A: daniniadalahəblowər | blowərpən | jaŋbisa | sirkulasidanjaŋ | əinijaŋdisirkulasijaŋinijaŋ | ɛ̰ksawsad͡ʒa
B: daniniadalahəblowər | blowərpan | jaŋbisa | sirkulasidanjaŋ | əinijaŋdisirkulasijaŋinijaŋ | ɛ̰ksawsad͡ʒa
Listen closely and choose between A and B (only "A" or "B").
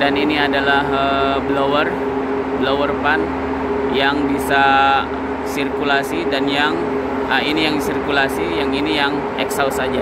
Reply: B